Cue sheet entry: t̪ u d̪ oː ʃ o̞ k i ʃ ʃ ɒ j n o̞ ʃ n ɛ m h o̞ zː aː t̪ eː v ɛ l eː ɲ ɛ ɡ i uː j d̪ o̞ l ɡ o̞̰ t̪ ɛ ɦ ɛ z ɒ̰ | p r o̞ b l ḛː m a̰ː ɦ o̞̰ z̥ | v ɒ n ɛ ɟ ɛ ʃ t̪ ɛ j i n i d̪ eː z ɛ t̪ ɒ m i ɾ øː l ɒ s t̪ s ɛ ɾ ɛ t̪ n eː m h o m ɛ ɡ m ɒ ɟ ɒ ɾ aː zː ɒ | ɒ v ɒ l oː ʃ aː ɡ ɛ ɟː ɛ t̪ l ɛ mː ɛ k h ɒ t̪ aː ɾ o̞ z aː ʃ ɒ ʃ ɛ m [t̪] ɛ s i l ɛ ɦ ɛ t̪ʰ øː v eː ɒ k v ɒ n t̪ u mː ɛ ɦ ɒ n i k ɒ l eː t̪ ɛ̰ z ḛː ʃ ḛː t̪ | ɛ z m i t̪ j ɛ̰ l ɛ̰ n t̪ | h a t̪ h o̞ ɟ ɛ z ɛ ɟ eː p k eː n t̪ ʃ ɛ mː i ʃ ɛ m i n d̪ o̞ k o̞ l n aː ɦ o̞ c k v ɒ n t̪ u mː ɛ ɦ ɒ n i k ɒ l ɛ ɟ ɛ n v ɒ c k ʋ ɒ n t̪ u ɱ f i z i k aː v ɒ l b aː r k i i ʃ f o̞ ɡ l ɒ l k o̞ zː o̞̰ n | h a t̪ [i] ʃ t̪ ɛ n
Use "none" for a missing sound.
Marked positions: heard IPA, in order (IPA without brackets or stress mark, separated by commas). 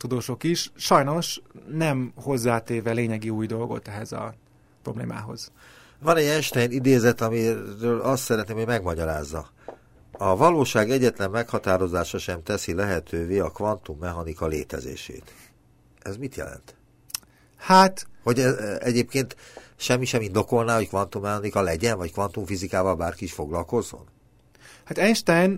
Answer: t̪, ɛ